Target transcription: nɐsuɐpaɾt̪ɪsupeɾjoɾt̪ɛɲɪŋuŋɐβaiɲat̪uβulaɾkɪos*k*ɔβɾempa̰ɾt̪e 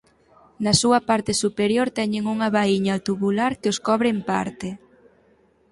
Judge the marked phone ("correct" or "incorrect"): correct